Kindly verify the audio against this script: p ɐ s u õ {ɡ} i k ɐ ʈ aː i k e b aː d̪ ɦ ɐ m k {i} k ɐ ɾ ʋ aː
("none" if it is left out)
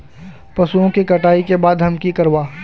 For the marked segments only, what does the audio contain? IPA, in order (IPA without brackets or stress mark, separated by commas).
k, i